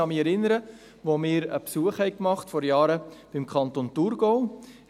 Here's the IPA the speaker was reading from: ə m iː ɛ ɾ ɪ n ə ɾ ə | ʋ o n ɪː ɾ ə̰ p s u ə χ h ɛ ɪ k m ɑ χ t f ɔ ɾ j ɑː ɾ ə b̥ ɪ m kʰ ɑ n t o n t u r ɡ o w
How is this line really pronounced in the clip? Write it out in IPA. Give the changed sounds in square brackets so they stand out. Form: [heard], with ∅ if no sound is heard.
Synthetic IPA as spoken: [ɑ] m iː ɛ ɾ ɪ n ə ɾ ə | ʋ o [m] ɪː ɾ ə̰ p s u ə χ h ɛ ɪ k m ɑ χ t f ɔ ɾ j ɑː ɾ ə b̥ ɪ m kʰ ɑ n t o n t u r ɡ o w